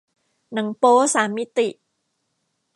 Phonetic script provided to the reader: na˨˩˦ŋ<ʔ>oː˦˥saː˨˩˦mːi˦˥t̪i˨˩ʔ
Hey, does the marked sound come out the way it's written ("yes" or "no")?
no